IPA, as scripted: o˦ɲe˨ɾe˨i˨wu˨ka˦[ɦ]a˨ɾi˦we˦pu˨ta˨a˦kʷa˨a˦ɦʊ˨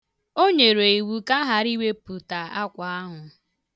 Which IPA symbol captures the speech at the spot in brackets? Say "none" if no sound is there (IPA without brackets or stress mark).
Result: ɦ